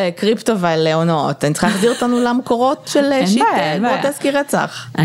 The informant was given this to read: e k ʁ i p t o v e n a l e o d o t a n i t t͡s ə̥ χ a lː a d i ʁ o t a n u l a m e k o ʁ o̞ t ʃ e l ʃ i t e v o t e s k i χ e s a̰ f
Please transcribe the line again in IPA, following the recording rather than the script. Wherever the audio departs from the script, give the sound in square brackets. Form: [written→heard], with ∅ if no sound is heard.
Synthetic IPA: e k ʁ i p t o v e [n→∅] a l e o [d→n] o t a n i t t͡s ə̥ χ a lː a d i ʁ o t a n u l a m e k o ʁ o̞ t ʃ e l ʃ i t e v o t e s k i [χ→ʁ] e [s→t͡s] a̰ [f→χ]